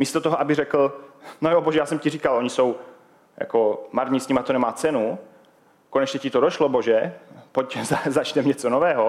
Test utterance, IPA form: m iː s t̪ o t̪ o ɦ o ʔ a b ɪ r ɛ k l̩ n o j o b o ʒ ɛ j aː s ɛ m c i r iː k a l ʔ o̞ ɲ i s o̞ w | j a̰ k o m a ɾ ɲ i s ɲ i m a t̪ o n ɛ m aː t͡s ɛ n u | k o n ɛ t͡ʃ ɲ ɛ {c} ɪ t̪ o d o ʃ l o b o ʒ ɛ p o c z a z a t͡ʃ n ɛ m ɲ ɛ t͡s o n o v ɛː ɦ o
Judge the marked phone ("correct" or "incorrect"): correct